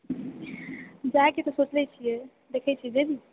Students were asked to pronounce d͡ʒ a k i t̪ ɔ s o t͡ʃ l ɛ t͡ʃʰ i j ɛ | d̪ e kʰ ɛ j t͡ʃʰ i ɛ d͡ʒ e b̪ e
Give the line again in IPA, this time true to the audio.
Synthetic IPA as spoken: d͡ʒ a k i t̪ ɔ s o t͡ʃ l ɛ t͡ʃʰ i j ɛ | d̪ e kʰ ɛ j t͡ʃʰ i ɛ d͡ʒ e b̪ i